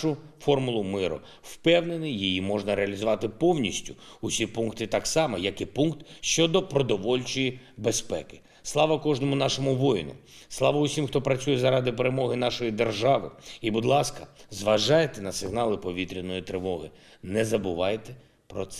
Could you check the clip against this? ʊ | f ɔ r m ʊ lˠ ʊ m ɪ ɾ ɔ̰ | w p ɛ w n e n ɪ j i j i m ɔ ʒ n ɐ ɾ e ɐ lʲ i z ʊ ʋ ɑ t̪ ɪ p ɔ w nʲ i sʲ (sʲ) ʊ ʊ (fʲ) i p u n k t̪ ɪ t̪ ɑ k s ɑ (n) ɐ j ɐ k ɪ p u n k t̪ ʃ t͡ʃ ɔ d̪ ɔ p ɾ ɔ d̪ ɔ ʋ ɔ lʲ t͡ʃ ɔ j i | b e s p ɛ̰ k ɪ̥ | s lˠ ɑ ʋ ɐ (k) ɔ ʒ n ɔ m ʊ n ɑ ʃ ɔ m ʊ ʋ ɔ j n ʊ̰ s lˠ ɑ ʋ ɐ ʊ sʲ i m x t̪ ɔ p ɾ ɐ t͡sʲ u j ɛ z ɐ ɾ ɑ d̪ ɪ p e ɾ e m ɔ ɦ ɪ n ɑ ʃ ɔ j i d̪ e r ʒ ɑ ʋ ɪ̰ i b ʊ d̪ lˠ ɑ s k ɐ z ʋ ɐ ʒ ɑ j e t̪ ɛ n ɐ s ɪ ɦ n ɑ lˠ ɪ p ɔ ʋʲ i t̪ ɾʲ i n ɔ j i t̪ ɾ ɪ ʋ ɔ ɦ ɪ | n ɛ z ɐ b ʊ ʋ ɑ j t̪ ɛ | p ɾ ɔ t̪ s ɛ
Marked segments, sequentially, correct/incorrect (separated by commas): incorrect, incorrect, incorrect, correct